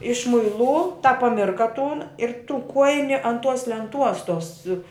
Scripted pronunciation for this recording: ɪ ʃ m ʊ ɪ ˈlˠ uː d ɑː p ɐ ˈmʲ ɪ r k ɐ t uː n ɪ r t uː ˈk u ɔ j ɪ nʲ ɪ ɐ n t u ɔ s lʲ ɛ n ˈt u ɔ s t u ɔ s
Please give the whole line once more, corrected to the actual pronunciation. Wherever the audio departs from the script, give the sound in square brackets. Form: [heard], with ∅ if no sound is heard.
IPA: ɪ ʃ m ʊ ɪ ˈlˠ uː [t] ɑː p ɐ ˈmʲ ɪ r k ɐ t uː n ɪ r t uː ˈk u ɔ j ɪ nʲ ɪ ɐ n t u ɔ s lʲ ɛ n ˈt u ɔ s t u ɔ s